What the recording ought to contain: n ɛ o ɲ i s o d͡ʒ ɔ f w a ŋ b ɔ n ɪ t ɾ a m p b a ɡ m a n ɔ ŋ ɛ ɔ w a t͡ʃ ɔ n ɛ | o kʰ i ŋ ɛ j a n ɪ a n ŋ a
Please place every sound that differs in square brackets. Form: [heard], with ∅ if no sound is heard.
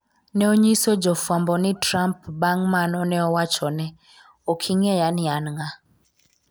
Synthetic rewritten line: n ɛ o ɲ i s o d͡ʒ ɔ f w a [m] b ɔ n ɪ t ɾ a m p b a [ŋ] m a n ɔ [n] ɛ ɔ w a t͡ʃ ɔ n ɛ | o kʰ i ŋ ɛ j a n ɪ a n ŋ a